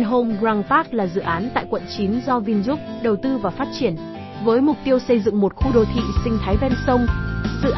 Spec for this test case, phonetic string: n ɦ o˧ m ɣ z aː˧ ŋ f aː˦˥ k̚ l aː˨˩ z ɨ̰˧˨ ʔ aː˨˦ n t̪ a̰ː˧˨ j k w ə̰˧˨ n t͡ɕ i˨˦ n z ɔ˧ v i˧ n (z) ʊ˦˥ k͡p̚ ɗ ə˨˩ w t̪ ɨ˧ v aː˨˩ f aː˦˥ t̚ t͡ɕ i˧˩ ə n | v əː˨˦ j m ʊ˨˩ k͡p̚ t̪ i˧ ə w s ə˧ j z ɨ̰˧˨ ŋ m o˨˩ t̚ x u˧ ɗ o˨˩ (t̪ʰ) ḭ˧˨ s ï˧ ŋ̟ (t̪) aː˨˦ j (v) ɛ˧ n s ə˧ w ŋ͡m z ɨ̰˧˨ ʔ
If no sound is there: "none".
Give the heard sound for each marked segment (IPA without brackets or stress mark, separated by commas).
z, t̪ʰ, t̪ʰ, v